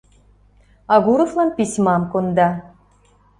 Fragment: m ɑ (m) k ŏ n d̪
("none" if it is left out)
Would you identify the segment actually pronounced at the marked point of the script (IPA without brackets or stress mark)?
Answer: m